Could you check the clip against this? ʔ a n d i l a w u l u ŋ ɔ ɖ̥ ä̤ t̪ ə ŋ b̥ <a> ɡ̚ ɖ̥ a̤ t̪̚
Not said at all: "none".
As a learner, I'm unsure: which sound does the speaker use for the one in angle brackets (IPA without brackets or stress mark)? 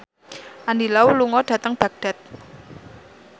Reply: a